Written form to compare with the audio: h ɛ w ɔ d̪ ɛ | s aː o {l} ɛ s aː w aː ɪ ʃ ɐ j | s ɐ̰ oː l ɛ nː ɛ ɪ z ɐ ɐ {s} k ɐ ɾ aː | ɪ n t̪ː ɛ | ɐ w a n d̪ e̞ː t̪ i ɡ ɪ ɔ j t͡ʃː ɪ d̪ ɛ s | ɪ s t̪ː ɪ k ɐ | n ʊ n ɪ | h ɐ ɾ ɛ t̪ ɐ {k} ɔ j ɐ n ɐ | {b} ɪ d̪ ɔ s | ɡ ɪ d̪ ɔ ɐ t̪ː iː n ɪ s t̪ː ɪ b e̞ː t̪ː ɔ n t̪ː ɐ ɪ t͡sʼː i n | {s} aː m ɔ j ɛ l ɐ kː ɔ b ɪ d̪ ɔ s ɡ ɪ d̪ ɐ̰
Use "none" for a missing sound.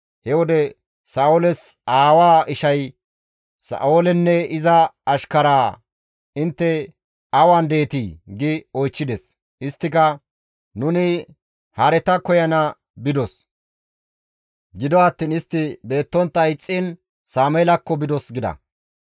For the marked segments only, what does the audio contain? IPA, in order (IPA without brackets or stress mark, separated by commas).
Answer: l, ʃ, k, b, s